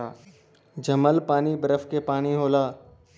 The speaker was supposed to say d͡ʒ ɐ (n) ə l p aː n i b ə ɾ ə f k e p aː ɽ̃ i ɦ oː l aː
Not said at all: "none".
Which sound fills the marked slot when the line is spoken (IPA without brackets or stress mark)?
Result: m